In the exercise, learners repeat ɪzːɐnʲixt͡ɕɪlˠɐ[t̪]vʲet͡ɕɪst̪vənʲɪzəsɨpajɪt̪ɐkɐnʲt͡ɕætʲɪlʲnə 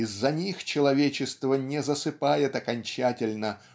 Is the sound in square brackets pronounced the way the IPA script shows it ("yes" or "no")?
no